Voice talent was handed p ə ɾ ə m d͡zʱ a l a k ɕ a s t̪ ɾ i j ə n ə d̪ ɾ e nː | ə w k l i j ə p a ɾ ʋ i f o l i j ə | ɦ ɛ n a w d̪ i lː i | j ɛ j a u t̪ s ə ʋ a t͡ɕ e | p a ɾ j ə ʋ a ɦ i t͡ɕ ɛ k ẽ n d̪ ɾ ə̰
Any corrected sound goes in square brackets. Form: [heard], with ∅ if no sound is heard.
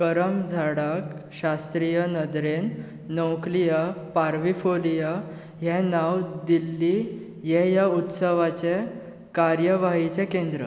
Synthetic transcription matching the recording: [k] ə ɾ ə m d͡zʱ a [ɽ] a k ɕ a s t̪ ɾ i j ə n ə d̪ ɾ e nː | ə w k l i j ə p a ɾ ʋ i f o l i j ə | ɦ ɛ n a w d̪ i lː i | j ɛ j a u t̪ s ə ʋ a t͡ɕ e | [k] a ɾ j ə ʋ a ɦ i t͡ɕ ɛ k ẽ n d̪ ɾ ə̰